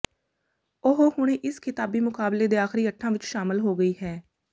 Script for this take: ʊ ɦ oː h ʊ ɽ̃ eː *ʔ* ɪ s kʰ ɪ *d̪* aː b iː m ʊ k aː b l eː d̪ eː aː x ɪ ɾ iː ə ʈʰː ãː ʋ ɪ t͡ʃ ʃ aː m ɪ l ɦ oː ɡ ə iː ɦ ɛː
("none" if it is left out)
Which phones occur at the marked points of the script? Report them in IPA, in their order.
ʔ, t̪

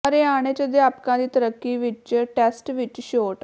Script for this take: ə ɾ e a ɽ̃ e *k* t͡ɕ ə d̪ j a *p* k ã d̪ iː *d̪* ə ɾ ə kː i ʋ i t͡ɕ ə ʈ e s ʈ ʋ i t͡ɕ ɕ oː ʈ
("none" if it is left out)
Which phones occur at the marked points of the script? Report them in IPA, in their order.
none, p, t̪

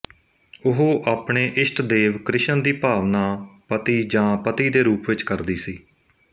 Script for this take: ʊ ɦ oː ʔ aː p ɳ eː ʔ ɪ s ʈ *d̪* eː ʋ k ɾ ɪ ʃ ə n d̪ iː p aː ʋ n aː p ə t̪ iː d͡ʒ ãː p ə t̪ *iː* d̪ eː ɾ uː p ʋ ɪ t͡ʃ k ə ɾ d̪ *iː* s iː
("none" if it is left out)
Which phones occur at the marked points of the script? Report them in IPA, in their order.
d̪, iː, iː

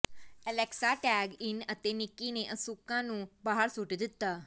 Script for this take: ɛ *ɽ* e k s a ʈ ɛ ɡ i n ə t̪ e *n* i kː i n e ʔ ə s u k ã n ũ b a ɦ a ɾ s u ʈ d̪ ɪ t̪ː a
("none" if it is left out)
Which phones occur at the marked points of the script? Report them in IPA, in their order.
l, n

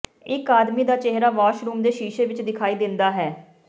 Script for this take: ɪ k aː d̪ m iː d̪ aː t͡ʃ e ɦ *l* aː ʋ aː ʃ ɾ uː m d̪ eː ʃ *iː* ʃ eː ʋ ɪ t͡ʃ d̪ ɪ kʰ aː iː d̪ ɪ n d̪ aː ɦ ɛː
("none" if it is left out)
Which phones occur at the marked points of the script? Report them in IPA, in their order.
ɾ, iː

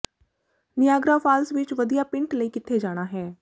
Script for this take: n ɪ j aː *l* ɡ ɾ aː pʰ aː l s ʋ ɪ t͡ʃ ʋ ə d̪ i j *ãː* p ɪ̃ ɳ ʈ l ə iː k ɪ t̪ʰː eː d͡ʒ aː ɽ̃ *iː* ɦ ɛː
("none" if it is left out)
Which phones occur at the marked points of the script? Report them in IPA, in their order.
none, aː, aː

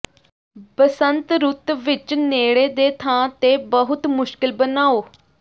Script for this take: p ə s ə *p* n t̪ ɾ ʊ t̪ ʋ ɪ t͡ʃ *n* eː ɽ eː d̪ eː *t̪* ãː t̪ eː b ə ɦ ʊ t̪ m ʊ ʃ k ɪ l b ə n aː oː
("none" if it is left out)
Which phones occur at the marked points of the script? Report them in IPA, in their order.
none, n, t̪ʰ

